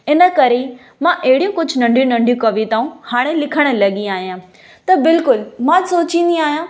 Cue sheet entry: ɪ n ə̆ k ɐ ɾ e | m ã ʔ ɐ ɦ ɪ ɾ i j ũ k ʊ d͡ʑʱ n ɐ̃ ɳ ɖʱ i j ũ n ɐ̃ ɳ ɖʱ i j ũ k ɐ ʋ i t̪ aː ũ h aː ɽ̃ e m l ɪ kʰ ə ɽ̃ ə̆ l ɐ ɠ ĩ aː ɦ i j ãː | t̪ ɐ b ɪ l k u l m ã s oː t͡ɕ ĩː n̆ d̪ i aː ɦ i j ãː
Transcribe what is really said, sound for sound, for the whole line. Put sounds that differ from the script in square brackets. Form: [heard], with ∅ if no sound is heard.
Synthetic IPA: ɪ n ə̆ k ɐ ɾ e | m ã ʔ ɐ ɦ ɪ [ɽ] i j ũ k ʊ d͡ʑʱ n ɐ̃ ɳ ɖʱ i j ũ n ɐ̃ ɳ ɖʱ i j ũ k ɐ ʋ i t̪ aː ũ h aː ɽ̃ e [∅] l ɪ kʰ ə ɽ̃ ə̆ l ɐ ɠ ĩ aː ɦ i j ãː | t̪ ɐ b ɪ l k [ʊ] l m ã s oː t͡ɕ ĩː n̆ d̪ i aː ɦ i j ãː